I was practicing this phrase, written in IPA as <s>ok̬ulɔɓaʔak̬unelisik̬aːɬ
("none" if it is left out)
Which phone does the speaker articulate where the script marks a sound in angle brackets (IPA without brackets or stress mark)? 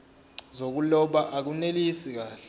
z